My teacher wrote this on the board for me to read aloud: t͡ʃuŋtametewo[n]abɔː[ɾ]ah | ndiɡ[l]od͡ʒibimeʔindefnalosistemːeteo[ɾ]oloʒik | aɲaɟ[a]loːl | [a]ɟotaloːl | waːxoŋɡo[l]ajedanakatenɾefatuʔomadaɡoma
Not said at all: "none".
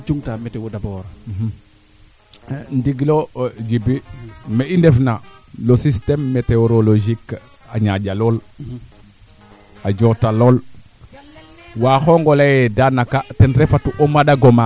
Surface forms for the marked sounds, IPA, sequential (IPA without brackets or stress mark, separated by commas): d, ɾ, l, ɾ, a, a, l